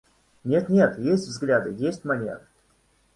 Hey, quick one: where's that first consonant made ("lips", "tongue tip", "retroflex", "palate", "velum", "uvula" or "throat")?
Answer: tongue tip